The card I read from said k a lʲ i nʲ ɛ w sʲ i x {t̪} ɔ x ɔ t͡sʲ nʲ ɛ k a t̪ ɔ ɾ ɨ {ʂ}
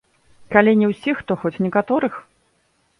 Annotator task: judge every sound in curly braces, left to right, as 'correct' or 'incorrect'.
correct, incorrect

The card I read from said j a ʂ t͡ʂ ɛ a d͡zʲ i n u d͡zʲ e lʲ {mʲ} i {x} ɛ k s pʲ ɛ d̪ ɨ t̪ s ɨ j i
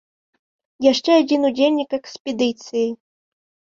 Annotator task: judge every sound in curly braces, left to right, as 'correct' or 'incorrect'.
incorrect, incorrect

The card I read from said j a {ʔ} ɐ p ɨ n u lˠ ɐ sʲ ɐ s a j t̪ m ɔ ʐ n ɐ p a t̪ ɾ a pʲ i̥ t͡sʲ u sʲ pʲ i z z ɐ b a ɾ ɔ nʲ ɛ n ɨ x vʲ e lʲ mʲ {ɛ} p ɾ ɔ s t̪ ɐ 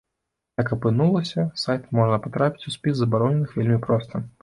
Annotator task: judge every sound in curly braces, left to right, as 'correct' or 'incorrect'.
incorrect, incorrect

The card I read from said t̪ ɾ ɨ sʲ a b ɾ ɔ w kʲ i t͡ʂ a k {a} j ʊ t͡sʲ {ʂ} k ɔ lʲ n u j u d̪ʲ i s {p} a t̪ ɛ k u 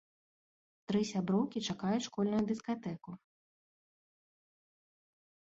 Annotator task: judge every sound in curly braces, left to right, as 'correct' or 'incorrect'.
correct, correct, incorrect

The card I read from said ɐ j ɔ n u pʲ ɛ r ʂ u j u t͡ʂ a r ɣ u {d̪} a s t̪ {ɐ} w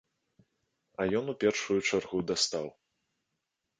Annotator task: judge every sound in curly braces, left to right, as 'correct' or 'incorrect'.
correct, incorrect

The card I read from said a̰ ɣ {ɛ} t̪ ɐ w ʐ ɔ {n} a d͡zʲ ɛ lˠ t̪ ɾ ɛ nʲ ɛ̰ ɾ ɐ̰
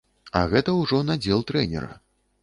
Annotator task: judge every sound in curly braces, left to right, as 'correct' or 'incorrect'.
correct, correct

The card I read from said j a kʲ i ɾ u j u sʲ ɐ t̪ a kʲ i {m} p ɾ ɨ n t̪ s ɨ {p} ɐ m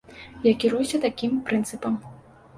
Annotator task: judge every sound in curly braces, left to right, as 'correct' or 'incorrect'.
correct, correct

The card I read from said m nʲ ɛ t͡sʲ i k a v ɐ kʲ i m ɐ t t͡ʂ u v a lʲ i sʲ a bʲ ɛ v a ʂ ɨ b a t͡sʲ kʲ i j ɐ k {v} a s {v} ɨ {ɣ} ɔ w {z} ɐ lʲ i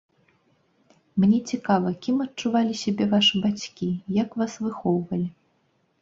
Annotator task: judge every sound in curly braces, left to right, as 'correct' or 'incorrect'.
correct, correct, incorrect, incorrect

